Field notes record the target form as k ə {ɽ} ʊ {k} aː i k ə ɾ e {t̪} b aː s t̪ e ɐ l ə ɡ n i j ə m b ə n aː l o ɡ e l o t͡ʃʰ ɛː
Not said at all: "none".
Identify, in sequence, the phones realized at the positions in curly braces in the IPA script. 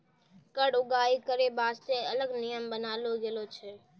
ɽ, ɡ, none

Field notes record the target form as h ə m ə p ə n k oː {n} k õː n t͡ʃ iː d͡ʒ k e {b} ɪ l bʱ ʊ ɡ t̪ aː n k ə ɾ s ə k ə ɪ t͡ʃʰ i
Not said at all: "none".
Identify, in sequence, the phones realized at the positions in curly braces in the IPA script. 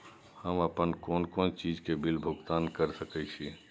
n, b

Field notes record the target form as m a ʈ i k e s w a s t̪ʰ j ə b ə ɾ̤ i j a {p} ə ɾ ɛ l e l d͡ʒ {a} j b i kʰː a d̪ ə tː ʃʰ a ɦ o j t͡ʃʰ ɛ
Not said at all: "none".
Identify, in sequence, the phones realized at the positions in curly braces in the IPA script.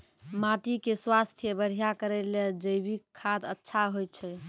k, ə

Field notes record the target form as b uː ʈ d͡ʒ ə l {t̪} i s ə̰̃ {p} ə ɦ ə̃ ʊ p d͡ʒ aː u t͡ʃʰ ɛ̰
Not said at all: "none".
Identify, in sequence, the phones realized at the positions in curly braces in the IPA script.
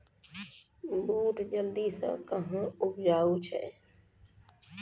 d̪, k

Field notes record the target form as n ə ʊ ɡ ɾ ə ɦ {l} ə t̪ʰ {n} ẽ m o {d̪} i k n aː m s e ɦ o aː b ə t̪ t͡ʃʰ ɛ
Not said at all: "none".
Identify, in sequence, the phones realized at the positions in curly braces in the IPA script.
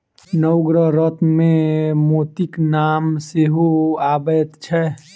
ɾ, m, t̪

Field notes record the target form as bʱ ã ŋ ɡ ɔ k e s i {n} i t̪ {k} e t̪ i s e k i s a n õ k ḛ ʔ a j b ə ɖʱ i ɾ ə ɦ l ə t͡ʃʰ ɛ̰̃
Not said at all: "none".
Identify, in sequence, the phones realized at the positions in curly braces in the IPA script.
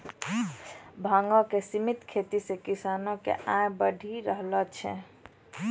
m, kʰ

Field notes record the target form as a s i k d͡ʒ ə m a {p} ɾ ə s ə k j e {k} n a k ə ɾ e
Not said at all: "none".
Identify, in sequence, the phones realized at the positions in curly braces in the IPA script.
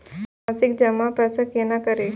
p, none

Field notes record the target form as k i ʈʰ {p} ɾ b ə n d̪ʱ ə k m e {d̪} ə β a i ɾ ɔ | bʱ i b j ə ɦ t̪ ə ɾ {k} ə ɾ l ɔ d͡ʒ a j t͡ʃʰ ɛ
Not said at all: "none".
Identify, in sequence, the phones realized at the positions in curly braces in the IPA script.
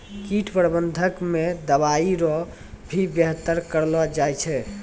p, d̪, k

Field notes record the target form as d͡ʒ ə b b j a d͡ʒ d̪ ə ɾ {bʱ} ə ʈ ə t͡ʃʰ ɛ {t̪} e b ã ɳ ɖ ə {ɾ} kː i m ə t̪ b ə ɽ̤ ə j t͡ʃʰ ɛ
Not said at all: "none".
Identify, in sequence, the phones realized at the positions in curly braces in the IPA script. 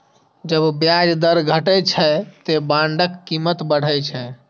ɡʱ, t̪, none

